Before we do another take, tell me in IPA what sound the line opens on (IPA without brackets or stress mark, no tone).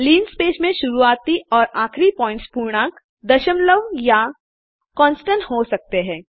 l